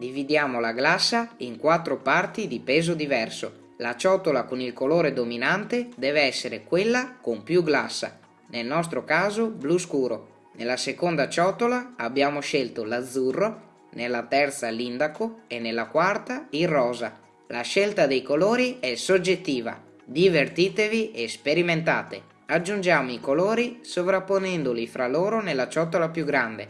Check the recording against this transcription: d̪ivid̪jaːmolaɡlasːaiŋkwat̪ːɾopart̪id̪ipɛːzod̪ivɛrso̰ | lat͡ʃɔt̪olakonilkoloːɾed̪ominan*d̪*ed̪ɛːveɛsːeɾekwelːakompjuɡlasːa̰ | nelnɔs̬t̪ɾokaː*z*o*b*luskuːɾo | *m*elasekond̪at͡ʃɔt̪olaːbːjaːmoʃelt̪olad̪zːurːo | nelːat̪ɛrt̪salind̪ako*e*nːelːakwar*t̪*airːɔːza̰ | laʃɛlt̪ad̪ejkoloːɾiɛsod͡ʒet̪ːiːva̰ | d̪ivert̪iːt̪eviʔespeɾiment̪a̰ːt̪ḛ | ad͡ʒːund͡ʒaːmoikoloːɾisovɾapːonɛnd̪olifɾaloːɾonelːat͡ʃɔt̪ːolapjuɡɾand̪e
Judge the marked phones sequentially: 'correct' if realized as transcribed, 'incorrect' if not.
incorrect, correct, correct, incorrect, correct, correct

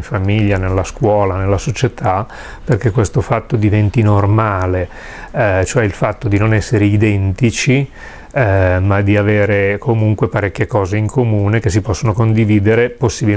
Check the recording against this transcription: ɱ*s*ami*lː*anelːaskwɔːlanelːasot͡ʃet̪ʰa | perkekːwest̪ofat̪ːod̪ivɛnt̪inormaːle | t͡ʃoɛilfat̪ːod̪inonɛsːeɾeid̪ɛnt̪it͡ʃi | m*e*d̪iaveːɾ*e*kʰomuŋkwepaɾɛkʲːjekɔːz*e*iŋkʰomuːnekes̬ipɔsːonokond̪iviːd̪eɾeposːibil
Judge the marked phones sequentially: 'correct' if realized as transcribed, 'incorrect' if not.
incorrect, incorrect, incorrect, correct, correct

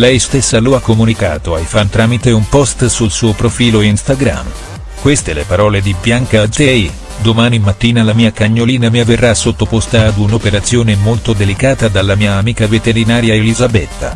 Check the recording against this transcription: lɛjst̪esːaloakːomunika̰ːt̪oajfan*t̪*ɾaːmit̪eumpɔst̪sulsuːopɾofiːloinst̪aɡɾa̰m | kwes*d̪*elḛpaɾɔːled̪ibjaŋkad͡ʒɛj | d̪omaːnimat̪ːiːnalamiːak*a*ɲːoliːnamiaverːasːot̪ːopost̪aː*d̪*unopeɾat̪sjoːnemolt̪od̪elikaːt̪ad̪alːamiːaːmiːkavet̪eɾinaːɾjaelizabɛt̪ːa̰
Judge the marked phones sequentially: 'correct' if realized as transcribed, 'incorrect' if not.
correct, incorrect, correct, correct

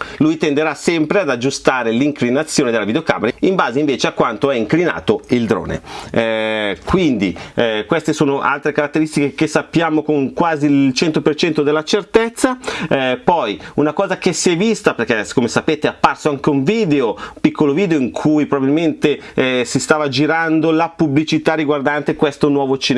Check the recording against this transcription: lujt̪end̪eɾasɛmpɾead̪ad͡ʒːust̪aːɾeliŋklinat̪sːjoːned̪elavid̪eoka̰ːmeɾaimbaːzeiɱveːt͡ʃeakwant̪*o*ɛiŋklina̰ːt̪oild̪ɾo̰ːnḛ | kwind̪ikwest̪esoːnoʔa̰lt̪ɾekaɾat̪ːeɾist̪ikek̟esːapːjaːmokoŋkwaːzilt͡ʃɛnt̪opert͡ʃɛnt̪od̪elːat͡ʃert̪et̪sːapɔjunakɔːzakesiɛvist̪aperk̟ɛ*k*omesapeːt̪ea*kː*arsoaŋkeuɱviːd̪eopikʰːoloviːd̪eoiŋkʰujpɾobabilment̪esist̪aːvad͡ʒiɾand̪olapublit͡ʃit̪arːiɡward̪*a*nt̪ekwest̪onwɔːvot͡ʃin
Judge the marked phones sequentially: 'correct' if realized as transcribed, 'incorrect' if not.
correct, correct, incorrect, correct

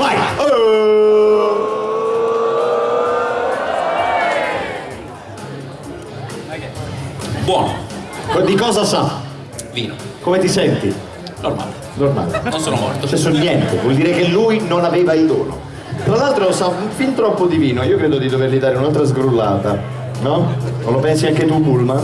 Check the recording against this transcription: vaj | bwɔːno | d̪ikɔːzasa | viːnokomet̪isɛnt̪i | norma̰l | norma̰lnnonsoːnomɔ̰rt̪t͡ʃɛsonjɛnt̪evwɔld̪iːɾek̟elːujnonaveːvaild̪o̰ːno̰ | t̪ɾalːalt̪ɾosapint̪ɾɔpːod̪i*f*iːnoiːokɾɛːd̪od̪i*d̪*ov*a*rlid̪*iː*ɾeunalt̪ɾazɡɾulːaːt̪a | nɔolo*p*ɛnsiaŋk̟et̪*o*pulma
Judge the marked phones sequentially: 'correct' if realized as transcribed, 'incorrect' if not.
incorrect, correct, incorrect, incorrect, correct, incorrect

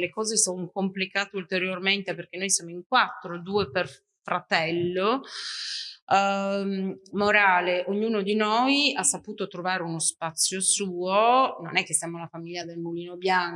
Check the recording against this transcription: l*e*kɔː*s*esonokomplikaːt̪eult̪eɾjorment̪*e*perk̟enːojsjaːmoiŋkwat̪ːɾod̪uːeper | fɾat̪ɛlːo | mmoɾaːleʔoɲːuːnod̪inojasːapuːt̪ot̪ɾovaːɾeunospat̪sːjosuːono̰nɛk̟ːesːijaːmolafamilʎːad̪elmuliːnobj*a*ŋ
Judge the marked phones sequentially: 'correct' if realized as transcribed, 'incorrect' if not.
correct, incorrect, correct, correct

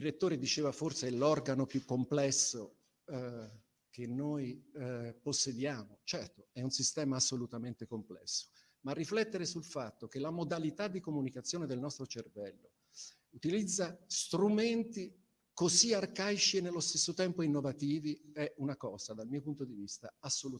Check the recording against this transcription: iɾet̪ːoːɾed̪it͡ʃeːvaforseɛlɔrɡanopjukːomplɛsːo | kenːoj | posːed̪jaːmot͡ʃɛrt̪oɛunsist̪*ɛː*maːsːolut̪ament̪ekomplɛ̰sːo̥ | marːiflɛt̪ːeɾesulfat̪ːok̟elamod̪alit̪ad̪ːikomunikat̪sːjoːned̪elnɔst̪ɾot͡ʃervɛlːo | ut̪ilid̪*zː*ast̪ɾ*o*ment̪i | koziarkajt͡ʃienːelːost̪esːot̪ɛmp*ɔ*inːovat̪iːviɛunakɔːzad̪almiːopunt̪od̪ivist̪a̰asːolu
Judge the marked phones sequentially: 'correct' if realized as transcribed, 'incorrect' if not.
correct, correct, incorrect, incorrect

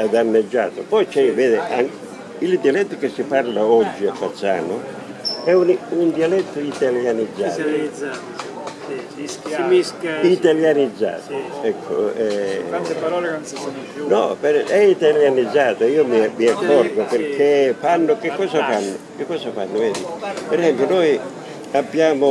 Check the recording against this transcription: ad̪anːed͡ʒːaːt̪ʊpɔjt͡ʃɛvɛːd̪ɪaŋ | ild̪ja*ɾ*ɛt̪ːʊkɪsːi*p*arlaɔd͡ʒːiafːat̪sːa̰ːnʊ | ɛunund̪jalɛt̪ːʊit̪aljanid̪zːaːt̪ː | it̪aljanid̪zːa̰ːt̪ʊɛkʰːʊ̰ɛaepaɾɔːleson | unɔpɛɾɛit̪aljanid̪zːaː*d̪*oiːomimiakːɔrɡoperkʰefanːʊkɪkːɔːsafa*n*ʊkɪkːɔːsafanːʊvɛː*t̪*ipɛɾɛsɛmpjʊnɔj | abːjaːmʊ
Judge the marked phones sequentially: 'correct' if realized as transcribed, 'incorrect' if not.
incorrect, correct, incorrect, incorrect, incorrect

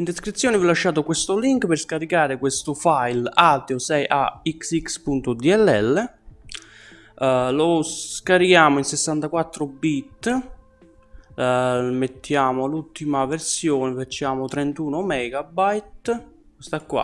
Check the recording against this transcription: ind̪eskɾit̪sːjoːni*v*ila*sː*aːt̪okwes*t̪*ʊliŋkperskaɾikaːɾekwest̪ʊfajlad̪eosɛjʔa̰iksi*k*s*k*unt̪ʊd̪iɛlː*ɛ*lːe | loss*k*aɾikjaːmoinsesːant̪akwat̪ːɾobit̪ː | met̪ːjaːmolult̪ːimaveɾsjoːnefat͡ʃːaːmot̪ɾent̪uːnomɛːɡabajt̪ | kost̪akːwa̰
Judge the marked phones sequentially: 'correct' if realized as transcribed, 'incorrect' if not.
correct, incorrect, correct, correct, incorrect, correct, correct

